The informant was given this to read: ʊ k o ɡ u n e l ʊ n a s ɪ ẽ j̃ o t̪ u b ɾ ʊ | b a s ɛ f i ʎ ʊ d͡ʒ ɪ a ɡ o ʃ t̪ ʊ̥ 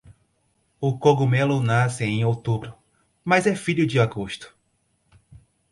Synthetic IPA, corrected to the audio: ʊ k o ɡ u m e l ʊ n a s ɪ ẽ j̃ o t̪ u b ɾ ʊ | m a z ɛ f i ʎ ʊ d͡ʒ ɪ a ɡ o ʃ t̪ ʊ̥